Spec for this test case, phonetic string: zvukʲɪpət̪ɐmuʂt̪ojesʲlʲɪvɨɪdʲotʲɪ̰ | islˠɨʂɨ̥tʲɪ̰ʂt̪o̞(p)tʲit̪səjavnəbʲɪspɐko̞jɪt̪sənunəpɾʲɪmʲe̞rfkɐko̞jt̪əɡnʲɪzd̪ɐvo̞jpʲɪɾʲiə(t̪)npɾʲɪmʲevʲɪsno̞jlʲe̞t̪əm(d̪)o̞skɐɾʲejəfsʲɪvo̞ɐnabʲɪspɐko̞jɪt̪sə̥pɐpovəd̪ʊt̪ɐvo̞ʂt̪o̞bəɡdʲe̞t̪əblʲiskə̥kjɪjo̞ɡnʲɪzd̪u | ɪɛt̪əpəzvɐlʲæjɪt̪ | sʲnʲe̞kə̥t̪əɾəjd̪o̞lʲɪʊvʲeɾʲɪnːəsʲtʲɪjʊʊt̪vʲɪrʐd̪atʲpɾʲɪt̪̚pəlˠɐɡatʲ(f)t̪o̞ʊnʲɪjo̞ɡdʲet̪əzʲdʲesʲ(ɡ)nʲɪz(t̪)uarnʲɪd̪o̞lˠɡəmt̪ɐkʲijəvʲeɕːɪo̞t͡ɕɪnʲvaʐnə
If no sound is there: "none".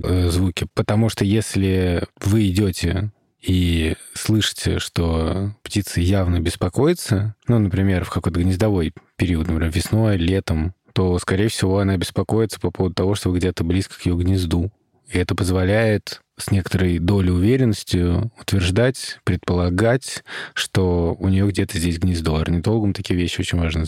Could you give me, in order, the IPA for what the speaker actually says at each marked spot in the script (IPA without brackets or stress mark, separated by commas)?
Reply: p, t̪, t̪, ʂ, ɡ, d̪